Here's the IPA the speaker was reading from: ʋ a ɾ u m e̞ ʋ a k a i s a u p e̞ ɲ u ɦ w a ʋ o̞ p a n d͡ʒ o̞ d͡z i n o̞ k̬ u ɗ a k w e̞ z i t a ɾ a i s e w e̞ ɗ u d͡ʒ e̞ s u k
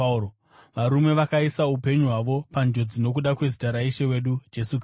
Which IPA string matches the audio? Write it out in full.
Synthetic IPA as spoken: ʋ a ɾ u m e̞ ʋ a k a i s a u p e̞ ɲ u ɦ w a ʋ o̞ p a n d͡ʒ o̞ d͡z i n o̞ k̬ u ɗ a k w e̞ z i t a ɾ a i ʃ e w e̞ ɗ u d͡ʒ e̞ s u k